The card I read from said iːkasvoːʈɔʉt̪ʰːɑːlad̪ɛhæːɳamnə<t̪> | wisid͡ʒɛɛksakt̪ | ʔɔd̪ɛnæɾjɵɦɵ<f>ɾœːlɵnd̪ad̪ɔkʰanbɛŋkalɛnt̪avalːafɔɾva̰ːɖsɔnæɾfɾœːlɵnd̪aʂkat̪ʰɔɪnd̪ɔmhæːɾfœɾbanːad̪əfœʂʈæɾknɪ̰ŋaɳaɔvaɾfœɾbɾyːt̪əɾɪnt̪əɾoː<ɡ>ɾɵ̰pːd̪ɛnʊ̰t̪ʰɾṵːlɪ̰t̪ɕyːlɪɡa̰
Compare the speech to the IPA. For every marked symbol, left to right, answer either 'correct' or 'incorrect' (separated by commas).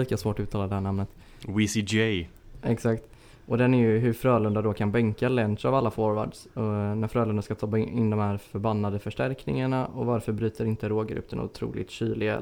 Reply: correct, correct, correct